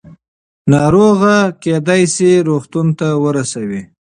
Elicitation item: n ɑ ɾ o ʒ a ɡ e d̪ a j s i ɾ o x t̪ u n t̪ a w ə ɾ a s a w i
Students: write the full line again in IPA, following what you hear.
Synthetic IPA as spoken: n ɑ ɾ o ɣ a k e d̪ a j s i ɾ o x t̪ u n t̪ a w ə ɾ a s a w i